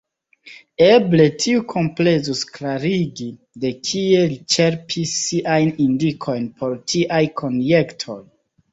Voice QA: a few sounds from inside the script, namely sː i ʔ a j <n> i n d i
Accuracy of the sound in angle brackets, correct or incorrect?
correct